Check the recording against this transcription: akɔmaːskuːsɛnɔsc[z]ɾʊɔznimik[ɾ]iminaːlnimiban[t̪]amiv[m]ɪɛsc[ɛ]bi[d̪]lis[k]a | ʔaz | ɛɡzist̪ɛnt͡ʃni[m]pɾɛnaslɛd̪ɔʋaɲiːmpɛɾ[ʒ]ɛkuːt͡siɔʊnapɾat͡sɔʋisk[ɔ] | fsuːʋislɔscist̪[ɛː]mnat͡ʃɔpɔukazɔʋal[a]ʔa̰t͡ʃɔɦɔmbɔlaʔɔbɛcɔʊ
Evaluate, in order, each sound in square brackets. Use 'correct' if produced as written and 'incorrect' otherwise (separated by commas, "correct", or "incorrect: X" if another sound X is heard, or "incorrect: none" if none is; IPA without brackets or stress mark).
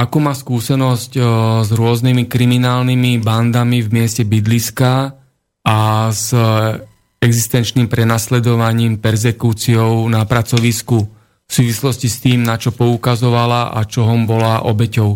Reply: correct, correct, incorrect: d̪, correct, correct, correct, correct, correct, incorrect: z, incorrect: u, incorrect: iː, correct